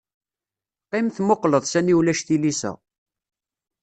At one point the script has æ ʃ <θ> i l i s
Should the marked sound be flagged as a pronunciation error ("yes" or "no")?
no